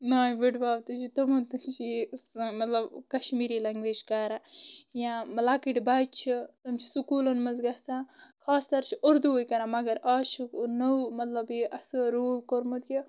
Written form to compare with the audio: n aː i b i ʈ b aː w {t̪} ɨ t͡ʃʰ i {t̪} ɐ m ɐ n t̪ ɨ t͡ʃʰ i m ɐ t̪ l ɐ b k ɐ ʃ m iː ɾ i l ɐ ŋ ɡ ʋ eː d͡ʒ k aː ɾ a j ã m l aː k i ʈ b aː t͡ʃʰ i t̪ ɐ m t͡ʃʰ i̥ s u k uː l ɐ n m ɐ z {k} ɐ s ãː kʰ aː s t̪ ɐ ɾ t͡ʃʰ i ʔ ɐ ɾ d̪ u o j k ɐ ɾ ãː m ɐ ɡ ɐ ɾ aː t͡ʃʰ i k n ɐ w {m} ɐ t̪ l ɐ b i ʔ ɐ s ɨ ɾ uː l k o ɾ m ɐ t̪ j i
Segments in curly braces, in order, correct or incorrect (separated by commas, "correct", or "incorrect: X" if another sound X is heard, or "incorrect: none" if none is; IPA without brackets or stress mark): correct, correct, incorrect: ɡ, correct